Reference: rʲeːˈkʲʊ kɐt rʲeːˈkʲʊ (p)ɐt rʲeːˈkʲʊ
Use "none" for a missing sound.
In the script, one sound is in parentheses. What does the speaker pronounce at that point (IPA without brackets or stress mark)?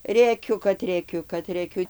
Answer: k